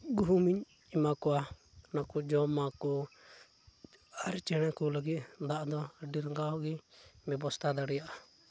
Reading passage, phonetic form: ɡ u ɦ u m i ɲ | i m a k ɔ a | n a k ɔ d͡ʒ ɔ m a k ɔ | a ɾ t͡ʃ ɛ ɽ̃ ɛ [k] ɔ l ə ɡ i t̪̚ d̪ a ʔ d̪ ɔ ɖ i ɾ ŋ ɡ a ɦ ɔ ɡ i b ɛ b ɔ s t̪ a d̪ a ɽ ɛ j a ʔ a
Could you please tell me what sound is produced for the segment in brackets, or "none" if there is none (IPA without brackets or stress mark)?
k